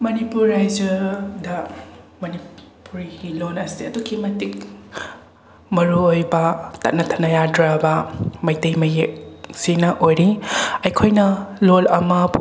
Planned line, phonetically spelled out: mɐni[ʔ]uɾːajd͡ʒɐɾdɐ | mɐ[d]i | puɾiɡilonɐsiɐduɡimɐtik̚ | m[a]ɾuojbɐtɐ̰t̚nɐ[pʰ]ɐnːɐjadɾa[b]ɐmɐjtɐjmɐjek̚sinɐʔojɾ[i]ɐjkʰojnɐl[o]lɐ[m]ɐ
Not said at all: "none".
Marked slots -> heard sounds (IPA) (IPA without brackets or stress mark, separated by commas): p, n, ɐ, tʰ, b, i, o, m